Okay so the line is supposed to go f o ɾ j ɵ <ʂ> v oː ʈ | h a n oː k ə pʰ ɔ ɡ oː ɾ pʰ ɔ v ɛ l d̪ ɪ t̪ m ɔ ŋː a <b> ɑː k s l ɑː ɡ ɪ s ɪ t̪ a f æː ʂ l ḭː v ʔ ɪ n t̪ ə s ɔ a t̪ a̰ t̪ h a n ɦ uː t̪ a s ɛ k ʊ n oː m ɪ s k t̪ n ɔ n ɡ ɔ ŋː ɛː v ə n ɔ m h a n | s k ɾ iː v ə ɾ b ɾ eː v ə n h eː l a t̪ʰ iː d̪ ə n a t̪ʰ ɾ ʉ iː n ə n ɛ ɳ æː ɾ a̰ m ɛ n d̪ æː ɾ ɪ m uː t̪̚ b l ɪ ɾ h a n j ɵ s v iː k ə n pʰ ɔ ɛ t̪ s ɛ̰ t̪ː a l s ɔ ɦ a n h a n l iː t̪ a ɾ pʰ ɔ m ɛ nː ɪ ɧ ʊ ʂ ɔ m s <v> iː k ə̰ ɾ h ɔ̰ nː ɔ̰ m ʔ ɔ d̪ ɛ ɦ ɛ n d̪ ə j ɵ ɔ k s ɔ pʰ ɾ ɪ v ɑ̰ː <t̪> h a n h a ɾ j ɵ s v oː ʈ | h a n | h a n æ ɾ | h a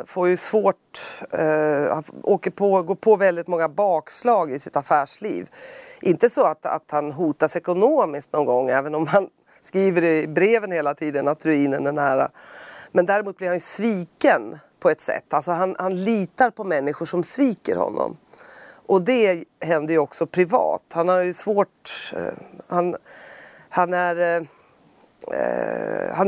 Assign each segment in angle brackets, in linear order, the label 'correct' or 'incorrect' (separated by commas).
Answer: incorrect, correct, correct, correct